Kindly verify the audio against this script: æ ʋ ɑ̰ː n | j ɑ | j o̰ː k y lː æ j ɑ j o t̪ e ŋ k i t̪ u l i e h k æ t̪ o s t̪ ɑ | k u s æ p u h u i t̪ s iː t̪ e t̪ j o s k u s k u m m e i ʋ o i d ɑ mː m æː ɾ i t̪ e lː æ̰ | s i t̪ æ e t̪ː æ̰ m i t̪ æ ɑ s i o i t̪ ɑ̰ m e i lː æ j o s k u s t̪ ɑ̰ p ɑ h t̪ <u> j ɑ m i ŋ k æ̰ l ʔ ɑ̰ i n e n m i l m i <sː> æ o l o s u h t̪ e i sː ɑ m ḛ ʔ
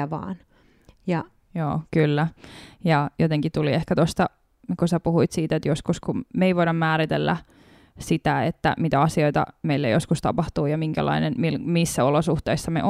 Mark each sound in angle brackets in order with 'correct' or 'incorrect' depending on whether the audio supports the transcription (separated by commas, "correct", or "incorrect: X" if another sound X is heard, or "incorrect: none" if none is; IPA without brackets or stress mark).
incorrect: uː, correct